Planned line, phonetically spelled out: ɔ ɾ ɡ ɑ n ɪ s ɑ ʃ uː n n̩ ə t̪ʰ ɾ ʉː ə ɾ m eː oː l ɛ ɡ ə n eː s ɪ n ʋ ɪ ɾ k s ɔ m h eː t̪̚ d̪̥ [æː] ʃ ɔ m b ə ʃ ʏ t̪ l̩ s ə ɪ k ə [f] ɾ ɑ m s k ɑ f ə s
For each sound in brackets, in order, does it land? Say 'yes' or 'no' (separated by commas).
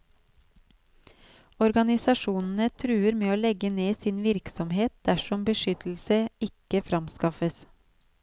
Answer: no, yes